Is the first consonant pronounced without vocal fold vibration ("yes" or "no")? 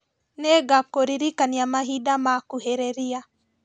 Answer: no